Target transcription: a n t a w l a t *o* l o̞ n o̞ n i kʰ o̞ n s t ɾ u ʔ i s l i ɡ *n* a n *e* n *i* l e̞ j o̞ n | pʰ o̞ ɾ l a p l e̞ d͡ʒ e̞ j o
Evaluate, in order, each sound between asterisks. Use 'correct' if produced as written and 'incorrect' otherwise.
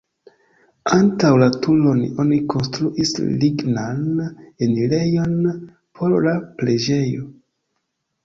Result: incorrect: u, correct, correct, correct

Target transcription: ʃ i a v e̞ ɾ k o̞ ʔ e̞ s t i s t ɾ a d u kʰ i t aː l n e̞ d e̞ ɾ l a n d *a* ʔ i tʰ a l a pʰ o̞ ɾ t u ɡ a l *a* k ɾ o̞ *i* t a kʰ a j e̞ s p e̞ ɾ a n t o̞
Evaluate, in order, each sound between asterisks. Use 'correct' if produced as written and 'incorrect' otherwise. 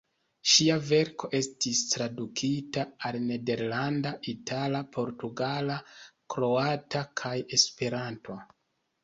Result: correct, correct, incorrect: a

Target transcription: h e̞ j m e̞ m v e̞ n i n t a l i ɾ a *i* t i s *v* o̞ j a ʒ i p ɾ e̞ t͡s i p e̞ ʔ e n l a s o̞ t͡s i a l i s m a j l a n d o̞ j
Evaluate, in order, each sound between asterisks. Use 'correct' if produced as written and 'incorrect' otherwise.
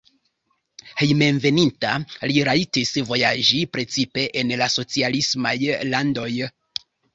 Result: correct, correct

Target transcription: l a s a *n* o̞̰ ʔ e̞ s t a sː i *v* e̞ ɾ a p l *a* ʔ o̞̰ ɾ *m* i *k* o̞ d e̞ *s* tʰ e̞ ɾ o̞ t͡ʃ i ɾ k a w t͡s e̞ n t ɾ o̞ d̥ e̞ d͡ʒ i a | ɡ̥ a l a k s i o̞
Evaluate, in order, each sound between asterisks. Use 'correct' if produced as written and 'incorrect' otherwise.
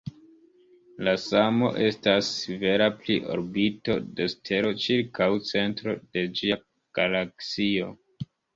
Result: incorrect: m, correct, incorrect: i, incorrect: b, incorrect: t, correct

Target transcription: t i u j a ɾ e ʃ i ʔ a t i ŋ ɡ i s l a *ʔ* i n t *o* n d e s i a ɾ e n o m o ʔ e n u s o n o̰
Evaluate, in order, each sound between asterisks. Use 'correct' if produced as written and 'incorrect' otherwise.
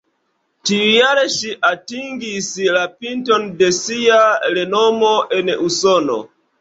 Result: incorrect: p, correct

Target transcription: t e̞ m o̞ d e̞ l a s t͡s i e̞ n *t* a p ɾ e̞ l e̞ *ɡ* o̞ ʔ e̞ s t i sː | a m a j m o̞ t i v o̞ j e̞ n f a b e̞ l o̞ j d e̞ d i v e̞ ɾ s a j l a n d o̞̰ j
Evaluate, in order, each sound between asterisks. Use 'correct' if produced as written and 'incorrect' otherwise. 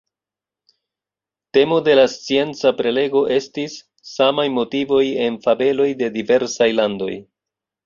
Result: incorrect: t͡s, correct

